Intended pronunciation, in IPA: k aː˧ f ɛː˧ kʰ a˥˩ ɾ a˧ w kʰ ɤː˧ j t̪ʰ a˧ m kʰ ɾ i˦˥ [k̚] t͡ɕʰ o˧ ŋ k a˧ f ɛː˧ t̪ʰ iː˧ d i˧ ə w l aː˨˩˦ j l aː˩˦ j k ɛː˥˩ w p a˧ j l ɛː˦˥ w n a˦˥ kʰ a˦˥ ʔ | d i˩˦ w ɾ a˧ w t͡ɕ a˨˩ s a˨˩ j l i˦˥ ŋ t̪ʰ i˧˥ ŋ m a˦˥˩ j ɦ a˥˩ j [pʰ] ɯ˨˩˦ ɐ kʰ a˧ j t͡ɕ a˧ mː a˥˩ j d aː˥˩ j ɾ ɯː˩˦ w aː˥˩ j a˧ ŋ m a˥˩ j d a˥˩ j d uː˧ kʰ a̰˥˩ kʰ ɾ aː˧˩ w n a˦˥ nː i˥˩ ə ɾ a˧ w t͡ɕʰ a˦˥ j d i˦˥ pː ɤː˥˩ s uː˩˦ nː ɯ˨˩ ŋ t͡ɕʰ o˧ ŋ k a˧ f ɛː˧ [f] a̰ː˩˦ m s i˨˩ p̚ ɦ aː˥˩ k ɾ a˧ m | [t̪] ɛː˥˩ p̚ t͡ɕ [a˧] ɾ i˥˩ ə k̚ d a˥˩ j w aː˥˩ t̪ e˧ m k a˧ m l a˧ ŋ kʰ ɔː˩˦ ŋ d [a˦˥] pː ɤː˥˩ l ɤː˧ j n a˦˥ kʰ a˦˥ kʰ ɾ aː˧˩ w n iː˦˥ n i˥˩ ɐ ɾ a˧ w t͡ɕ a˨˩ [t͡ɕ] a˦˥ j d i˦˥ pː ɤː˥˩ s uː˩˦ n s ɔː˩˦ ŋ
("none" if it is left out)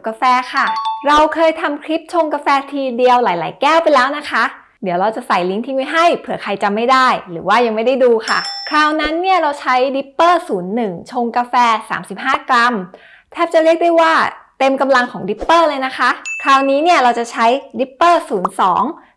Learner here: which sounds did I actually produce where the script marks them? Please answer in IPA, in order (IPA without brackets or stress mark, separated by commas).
p̚, pʰ, s, t̪ʰ, a˨˩, i˦˥, t͡ɕʰ